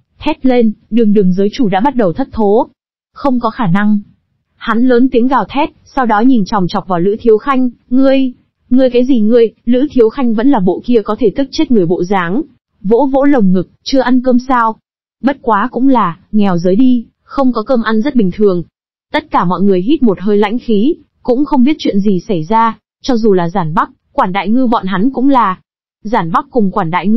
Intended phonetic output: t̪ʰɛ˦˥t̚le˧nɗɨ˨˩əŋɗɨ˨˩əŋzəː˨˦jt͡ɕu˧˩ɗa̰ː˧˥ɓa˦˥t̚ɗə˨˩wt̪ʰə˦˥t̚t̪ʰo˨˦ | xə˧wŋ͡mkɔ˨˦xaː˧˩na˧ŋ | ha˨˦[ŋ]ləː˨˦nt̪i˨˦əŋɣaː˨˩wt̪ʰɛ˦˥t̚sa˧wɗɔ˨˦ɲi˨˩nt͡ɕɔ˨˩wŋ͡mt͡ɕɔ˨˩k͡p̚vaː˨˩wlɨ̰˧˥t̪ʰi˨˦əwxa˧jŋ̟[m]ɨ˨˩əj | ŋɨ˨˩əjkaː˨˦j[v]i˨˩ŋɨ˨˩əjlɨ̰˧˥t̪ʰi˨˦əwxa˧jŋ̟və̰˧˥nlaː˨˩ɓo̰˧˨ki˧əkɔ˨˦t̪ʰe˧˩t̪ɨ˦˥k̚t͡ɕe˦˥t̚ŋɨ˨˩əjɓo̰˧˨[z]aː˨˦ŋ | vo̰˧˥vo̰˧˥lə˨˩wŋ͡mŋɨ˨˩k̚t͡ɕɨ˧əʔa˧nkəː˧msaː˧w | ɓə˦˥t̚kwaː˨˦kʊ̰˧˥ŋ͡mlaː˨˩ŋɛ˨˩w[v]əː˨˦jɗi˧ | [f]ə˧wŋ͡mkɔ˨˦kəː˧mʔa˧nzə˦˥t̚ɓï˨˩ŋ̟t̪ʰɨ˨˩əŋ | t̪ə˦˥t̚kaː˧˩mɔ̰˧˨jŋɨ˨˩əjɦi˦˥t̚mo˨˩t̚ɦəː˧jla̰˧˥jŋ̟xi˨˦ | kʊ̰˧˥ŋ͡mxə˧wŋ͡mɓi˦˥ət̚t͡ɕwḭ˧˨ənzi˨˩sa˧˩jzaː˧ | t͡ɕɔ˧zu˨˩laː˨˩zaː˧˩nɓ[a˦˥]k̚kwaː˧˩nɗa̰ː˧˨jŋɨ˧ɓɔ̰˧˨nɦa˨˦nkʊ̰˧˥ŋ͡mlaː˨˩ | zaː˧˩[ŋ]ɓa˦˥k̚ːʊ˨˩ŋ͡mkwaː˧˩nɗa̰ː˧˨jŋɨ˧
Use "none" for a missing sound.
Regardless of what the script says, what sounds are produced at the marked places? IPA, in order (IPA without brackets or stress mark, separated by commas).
n, ŋ, z, z, z, x, a˦˥, n